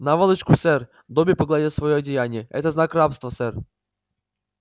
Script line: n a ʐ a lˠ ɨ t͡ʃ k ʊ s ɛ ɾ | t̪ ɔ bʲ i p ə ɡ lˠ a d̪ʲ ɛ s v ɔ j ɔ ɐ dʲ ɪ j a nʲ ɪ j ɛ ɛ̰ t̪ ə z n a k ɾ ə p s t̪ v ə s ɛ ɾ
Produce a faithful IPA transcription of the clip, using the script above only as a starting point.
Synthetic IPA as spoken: n a v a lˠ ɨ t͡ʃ k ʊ s ɛ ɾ | d̪ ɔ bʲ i p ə ɡ lˠ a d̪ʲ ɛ s v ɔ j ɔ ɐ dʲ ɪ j a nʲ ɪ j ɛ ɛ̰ t̪ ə z n a k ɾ a p s t̪ v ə s ɛ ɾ